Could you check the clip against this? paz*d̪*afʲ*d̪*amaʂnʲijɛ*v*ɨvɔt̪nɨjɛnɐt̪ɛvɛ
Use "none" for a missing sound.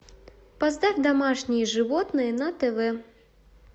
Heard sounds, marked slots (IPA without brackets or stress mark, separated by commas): d̪, d̪, ʐ